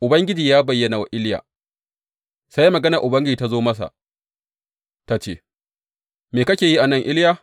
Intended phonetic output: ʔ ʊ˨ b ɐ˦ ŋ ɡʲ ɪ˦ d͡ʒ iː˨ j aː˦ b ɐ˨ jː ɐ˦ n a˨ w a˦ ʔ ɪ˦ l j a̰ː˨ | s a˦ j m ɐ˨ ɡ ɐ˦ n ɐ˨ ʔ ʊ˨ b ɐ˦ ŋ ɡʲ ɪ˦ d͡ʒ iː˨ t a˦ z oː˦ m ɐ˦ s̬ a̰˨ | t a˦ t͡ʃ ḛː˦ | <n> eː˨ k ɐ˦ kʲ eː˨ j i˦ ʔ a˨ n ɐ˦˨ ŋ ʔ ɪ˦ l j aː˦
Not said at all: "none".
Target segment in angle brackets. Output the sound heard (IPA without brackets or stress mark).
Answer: m